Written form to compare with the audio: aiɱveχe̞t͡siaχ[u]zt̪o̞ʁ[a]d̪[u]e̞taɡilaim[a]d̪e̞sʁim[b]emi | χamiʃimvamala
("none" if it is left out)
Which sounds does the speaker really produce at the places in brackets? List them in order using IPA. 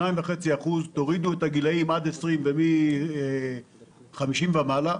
u, i, u, a, v

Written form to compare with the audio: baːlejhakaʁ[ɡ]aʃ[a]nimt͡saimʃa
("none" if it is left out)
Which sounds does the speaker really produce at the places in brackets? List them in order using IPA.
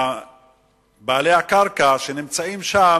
k, e

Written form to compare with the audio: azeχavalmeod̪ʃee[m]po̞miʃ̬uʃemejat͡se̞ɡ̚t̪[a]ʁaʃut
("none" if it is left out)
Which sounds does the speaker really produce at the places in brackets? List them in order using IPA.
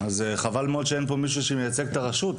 n, a

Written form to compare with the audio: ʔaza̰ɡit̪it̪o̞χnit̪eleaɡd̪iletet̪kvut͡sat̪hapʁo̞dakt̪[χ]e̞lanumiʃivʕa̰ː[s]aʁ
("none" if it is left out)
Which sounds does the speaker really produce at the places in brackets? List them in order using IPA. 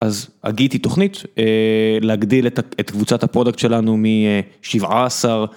ʃ, s

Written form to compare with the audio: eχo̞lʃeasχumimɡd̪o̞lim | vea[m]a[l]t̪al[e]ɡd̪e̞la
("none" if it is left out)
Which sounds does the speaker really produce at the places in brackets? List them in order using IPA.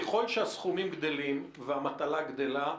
m, none, a

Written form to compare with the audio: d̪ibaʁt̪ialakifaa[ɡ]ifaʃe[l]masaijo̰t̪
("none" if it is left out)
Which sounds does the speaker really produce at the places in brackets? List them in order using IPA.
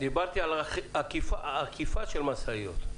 k, l

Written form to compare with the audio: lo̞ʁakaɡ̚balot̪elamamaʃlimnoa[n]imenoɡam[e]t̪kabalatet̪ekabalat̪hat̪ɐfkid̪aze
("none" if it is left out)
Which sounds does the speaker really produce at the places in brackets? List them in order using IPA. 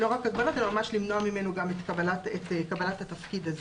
m, e

